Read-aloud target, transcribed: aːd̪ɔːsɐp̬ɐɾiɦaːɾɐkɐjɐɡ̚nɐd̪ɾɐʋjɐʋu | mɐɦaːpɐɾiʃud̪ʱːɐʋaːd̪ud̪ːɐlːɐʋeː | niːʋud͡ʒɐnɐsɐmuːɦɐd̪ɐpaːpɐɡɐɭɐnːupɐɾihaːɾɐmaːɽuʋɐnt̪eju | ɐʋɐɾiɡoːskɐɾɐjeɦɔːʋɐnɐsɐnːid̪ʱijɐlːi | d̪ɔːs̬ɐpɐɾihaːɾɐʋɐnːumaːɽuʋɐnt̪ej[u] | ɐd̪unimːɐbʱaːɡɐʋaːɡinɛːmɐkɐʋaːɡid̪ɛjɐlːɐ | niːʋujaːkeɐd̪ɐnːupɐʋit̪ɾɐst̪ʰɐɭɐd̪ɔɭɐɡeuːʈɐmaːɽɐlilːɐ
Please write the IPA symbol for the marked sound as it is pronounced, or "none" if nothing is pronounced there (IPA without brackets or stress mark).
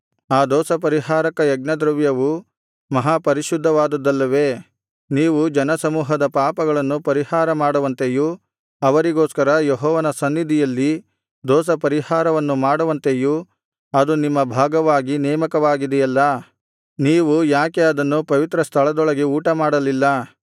u